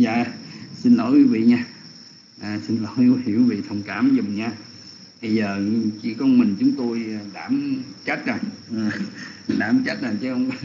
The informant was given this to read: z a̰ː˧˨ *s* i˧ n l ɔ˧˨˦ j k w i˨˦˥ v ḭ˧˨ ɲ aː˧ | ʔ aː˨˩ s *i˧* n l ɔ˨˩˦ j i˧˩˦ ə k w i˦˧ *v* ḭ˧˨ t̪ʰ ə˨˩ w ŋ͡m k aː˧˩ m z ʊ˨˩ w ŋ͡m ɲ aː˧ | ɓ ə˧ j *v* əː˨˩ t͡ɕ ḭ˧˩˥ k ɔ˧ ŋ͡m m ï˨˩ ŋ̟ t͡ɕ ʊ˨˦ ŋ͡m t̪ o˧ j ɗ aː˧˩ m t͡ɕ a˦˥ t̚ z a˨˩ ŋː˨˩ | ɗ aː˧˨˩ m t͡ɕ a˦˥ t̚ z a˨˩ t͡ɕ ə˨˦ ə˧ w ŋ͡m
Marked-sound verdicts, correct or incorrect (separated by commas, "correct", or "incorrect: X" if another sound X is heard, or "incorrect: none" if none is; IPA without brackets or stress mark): correct, correct, correct, incorrect: z